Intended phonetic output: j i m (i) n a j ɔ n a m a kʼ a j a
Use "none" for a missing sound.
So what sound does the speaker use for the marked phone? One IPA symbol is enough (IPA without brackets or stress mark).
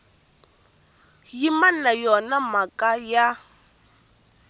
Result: a